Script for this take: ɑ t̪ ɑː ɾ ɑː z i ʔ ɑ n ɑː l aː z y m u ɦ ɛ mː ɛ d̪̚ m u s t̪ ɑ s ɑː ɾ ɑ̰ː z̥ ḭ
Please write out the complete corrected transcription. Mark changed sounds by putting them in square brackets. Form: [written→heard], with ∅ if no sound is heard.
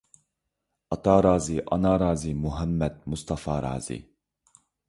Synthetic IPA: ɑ t̪ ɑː ɾ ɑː z i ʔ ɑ n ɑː [l→ɾ] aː z [y→i] m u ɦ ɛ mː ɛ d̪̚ m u s t̪ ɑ [s→f] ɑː ɾ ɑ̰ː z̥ ḭ